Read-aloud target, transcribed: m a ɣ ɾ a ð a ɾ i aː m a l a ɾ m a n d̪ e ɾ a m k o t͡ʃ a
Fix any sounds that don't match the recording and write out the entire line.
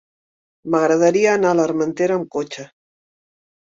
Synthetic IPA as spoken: m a ɣ ɾ a ð a ɾ i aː n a l a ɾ m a n t̪ e ɾ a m k o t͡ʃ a